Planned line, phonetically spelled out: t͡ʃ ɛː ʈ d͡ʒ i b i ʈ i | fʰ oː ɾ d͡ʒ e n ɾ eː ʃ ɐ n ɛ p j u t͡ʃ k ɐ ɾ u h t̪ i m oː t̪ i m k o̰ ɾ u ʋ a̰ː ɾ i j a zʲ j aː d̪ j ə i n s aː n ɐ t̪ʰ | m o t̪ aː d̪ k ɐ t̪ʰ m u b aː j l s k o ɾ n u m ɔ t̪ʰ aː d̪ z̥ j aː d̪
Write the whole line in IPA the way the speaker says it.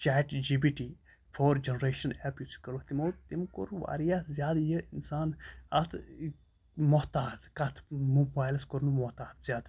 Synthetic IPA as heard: t͡ʃ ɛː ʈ d͡ʒ i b i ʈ i | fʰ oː ɾ d͡ʒ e n ɾ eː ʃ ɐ n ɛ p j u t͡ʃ k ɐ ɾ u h t̪ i m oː t̪ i m k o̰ ɾ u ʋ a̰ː ɾ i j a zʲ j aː d̪ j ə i n s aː n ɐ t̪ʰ | m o t̪ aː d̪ k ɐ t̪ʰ m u b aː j l s k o ɾ n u m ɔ t̪ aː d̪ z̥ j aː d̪